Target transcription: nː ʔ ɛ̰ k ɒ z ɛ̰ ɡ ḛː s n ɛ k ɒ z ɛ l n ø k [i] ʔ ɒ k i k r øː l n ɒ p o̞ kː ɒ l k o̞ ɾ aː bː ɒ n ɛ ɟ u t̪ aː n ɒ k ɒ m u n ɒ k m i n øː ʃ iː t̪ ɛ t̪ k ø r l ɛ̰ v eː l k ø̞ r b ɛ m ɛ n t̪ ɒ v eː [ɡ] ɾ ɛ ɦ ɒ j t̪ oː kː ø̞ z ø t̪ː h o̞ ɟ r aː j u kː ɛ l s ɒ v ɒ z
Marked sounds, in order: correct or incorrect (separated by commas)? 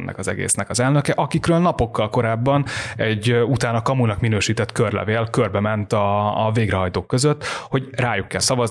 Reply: incorrect, correct